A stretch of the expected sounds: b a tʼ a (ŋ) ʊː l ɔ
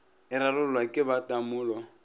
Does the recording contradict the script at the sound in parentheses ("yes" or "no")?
yes